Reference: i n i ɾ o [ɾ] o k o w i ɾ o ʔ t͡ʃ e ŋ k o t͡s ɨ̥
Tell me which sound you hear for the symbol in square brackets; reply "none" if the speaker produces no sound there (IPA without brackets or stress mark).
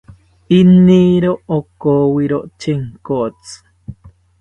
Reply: none